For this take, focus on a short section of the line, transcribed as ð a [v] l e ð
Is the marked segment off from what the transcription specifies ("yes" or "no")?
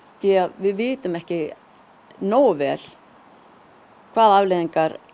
no